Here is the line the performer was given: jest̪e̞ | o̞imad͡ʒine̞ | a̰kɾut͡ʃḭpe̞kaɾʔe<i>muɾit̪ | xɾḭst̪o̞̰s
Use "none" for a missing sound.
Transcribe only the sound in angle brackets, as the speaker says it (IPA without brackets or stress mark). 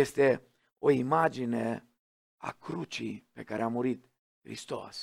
a